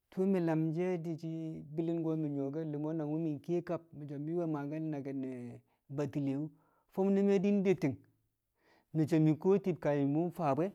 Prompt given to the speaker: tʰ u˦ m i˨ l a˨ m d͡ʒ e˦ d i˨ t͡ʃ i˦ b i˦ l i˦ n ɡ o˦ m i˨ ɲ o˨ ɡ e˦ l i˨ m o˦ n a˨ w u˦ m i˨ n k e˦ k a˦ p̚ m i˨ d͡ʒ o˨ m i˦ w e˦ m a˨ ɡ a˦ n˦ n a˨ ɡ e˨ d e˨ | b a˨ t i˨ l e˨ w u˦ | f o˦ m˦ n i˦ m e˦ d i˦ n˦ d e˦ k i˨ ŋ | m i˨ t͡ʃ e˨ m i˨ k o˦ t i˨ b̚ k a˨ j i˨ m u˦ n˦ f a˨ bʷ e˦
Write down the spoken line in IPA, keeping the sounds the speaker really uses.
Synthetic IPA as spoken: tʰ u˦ m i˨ l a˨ m d͡ʒ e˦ d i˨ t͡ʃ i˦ b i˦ l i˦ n ɡ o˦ m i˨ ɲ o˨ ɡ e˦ l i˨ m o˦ n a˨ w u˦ m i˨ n k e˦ k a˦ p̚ m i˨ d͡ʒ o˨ m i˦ w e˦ m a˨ ɡ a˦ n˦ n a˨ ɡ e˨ n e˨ | b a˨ t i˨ l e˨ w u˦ | f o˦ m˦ n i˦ m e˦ d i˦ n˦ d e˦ t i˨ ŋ | m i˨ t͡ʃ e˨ m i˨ k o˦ t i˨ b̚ k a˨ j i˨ m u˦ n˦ f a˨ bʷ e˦

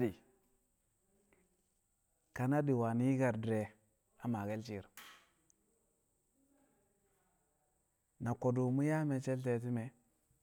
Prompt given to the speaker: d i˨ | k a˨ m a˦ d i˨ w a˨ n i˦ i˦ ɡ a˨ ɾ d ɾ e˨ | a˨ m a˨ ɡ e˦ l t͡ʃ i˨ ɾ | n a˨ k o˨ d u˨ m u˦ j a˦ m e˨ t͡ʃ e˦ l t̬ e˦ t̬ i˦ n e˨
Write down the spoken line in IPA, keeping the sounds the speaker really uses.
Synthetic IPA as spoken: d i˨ | k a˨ n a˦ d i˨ w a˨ n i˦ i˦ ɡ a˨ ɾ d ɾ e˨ | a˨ m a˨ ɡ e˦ l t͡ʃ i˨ ɾ | n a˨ k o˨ d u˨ m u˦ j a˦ m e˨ t͡ʃ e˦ l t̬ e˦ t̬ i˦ m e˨

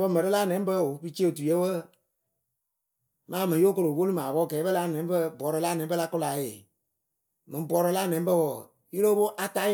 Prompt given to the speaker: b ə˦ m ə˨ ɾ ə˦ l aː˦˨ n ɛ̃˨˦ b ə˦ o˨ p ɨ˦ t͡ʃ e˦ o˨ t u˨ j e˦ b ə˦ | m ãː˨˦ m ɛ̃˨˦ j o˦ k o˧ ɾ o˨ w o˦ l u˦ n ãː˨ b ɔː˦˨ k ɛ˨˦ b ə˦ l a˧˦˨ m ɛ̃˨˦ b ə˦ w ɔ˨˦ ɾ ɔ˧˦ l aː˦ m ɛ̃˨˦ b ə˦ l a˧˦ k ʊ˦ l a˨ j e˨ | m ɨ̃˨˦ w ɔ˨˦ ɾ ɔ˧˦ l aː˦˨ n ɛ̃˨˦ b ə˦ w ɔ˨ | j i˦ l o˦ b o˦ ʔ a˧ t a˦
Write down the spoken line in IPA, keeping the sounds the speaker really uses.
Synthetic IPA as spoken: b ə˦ m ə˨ ɾ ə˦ l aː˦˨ n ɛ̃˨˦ b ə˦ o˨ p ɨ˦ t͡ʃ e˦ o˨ t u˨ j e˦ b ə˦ | m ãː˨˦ m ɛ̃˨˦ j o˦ k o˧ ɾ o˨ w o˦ l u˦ m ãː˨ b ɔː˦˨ k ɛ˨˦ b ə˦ l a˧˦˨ n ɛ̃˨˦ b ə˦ b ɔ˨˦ ɾ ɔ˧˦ l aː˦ n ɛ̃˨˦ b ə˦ l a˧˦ k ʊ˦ l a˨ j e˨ | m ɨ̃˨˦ b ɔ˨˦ ɾ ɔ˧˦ l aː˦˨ n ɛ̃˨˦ b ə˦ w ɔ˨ | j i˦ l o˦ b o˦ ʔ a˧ t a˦

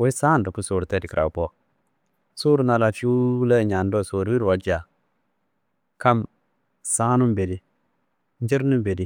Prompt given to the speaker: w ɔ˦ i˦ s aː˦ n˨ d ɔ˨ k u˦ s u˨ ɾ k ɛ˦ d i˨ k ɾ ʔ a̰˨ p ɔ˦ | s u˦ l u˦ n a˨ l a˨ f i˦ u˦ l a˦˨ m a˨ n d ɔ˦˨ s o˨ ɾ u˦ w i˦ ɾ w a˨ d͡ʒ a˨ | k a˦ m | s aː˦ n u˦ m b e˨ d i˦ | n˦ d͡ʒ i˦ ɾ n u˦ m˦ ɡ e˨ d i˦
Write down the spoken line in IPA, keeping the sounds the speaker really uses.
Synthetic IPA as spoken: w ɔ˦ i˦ s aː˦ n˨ d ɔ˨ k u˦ s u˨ ɾ t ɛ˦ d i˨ k ɾ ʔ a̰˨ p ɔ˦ | s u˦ ɾ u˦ n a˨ l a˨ f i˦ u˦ l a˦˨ ɲ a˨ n d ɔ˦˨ s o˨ ɾ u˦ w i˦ ɾ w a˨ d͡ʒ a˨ | k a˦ m | s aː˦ n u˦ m b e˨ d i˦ | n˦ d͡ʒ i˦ ɾ n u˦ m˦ b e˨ d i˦

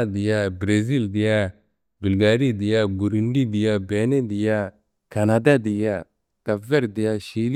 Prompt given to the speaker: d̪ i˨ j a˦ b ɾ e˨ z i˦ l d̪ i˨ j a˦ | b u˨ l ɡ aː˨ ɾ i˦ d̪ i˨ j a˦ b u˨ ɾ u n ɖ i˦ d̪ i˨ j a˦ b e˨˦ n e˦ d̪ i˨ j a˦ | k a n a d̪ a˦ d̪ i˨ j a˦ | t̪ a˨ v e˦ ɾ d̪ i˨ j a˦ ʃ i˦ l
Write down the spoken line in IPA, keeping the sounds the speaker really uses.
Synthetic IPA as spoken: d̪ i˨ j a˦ b ɾ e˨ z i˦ l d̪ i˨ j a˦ | b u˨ l ɡ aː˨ ɾ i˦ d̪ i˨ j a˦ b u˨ ɾ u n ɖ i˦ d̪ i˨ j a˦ b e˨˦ n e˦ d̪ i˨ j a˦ | k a n a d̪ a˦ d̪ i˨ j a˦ | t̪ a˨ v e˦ ɾ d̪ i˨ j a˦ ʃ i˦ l

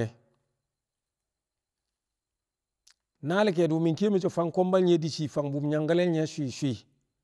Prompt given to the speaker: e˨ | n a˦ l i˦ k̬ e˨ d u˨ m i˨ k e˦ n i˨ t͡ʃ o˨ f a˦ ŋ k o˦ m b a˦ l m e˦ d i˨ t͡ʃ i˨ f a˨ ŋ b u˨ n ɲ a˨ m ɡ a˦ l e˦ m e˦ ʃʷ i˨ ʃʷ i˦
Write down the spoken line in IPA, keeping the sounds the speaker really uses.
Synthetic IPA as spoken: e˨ | n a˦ l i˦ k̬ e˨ d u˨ m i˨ k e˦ m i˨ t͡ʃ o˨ f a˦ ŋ k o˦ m b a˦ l ɲ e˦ d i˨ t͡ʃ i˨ f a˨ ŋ b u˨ m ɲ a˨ ŋ ɡ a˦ l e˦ ɲ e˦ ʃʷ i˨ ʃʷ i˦

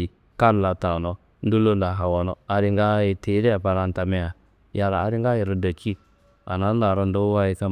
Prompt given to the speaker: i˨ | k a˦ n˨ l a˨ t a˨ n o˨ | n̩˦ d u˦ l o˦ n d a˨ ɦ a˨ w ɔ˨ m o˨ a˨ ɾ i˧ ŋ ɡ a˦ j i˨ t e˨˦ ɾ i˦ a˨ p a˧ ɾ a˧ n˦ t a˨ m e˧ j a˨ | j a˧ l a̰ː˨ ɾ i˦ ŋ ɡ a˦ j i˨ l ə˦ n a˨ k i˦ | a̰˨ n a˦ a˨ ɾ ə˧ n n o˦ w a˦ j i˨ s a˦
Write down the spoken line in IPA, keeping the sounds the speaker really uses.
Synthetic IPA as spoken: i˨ | k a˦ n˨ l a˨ t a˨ n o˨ | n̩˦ d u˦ l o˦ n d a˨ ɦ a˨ w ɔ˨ n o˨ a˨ ɾ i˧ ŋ ɡ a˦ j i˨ t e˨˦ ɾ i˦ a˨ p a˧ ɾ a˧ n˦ t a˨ m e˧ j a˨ | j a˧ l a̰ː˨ ɾ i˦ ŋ ɡ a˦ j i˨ ɾ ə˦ d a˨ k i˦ | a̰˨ n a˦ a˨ ɾ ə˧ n d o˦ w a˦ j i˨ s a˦

